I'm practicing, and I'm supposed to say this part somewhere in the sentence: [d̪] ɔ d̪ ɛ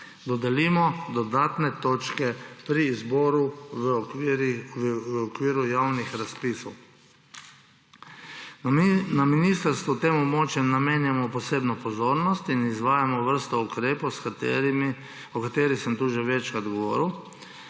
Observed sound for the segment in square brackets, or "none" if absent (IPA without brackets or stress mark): d̪